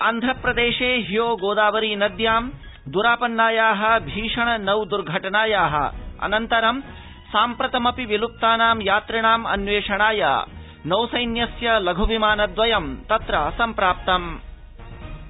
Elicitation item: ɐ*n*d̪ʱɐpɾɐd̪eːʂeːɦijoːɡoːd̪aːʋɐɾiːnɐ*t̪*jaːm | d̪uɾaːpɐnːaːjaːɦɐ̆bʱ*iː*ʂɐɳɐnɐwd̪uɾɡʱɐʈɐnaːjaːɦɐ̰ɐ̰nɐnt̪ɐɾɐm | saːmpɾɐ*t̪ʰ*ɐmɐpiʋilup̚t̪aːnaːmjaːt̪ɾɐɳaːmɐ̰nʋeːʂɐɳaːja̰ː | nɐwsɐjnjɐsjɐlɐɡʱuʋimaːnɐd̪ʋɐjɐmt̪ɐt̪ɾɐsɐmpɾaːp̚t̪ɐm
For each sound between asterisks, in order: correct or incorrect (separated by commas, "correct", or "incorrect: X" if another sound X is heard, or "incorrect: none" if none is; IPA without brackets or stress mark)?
correct, incorrect: d̪, correct, incorrect: t̪